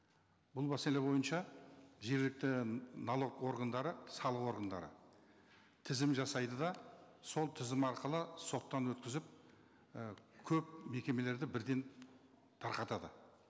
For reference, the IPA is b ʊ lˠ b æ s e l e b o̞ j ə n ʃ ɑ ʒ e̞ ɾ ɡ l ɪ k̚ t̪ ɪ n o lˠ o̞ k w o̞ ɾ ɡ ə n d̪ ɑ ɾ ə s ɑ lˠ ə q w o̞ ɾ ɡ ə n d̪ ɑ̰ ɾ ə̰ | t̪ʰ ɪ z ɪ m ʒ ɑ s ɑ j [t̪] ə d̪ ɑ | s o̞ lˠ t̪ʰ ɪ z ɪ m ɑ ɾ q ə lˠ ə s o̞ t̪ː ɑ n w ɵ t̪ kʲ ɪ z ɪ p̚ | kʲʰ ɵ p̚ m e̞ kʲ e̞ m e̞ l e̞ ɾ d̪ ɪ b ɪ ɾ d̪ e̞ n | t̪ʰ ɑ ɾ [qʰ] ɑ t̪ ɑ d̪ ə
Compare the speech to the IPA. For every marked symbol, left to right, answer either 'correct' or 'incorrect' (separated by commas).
incorrect, incorrect